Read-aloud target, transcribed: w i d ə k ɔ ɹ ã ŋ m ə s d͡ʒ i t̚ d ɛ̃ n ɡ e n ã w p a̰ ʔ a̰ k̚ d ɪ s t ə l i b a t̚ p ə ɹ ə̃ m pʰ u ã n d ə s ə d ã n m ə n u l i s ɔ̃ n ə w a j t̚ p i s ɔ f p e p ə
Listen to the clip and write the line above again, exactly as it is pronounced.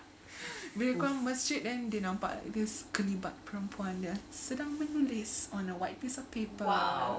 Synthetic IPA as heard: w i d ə k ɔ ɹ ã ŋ m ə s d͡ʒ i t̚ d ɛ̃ n d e n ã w p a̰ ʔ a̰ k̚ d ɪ s k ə l i b a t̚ p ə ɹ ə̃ m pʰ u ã n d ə s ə d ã ŋ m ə n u l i s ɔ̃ n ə w a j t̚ p i s ɔ f p e p ə